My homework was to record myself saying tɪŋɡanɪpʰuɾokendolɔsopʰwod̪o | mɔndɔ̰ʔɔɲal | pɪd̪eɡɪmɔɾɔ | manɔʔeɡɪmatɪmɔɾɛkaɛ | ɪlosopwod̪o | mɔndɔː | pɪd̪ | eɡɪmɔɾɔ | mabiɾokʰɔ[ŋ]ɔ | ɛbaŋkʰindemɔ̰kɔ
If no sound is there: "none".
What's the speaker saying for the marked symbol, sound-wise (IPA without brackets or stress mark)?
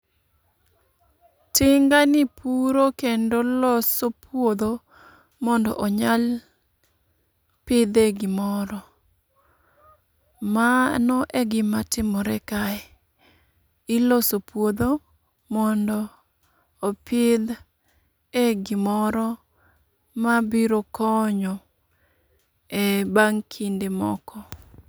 ɲ